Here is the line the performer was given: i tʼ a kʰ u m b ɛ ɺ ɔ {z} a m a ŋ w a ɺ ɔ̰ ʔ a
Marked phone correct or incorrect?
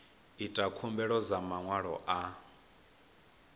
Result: correct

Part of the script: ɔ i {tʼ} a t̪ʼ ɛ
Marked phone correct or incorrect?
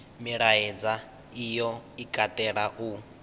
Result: incorrect: kʼ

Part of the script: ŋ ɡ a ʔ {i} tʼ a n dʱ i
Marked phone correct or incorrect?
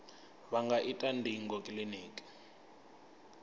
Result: correct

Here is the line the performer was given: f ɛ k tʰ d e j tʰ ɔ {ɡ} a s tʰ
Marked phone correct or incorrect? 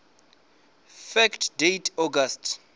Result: correct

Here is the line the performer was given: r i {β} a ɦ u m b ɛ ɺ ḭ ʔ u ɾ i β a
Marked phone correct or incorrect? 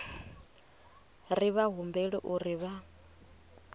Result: correct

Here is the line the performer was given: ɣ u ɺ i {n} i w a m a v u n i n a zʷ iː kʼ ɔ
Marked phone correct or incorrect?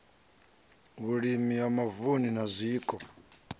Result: incorrect: m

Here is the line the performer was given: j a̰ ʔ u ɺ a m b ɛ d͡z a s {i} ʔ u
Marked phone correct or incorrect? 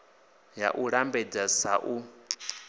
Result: incorrect: a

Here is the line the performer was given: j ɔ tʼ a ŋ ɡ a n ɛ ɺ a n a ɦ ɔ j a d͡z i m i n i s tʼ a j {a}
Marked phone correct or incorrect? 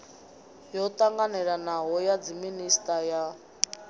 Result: correct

